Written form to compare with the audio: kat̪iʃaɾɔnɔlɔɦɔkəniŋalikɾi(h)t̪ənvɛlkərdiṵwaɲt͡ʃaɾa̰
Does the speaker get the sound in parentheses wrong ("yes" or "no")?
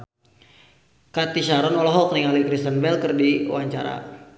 yes